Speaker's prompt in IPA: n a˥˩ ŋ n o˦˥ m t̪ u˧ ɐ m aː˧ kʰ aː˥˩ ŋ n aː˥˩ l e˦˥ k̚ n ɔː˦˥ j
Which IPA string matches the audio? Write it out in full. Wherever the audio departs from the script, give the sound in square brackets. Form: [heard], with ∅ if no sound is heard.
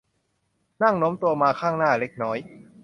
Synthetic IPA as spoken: n a˥˩ ŋ n o˦˥ m t̪ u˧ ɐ m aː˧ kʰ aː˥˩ ŋ n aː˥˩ l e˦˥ k̚ n ɔː˦˥ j